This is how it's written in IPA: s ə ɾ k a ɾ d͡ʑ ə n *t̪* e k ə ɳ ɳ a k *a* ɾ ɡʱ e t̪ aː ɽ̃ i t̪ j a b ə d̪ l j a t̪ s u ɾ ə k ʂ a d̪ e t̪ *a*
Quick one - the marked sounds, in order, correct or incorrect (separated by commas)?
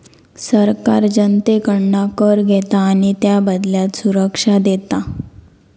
correct, incorrect, correct